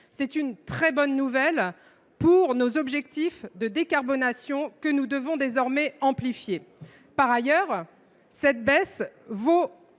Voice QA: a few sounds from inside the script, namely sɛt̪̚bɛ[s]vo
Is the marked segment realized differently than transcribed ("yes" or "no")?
no